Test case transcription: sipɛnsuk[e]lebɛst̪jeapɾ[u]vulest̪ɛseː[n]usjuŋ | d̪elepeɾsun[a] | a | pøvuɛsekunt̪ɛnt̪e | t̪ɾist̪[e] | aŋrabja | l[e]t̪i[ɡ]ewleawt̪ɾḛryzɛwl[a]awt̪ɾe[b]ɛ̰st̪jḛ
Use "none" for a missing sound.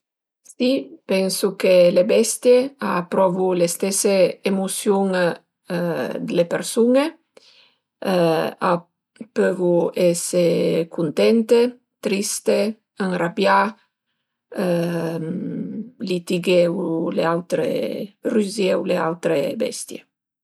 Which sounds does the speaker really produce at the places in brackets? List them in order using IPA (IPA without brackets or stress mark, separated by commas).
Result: e, ɔ, m, e, e, i, ɡ, e, b